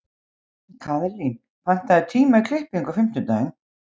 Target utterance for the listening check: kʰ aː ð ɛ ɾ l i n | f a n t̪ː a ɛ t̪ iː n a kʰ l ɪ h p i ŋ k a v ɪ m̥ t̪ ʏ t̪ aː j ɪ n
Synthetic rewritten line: kʰ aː ð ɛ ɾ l i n | f a n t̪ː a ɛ t̪ʰ iː m a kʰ l ɪ h p i ŋ k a f ɪ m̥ t̪ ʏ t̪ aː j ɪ n